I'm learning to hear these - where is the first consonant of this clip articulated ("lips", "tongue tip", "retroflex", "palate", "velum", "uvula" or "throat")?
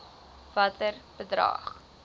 lips